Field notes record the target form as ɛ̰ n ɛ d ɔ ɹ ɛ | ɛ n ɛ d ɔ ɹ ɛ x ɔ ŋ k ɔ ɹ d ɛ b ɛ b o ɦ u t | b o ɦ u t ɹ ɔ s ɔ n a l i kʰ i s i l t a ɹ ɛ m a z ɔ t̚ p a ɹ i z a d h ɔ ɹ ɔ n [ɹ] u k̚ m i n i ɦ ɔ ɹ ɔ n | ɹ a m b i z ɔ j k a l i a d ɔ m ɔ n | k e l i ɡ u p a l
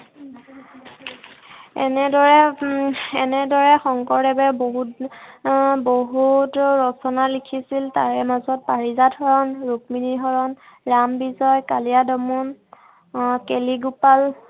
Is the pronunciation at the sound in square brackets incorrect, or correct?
correct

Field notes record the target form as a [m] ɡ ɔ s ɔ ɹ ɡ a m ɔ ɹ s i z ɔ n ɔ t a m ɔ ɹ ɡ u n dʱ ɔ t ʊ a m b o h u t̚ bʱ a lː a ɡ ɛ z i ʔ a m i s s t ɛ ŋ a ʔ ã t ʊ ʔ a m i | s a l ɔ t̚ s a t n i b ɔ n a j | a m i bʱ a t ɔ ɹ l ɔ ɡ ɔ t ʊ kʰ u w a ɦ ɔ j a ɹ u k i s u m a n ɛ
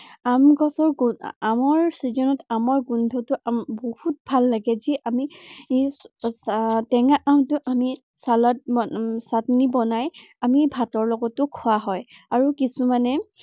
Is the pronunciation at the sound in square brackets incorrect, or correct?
correct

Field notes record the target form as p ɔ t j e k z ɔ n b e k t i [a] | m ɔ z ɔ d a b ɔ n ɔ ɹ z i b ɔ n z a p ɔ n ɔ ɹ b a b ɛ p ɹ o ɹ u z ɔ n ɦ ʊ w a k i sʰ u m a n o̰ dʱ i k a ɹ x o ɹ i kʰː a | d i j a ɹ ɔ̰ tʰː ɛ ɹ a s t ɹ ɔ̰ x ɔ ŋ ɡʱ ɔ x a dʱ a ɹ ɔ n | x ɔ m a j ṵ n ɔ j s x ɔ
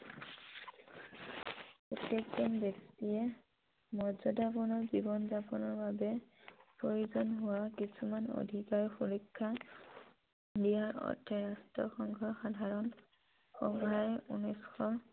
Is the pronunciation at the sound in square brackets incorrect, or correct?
incorrect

